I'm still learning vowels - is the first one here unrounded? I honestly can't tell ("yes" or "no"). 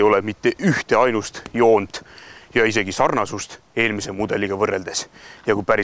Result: no